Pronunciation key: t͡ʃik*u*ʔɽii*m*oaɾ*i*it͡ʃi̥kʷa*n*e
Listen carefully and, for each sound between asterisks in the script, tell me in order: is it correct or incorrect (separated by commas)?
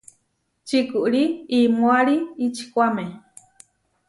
correct, correct, correct, incorrect